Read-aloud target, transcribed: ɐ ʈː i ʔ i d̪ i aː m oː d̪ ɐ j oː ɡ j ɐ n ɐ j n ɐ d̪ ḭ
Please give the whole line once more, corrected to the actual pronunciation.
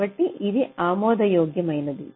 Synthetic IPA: ɐ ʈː i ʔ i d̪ i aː m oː d̪ ɐ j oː ɡ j ɐ m ɐ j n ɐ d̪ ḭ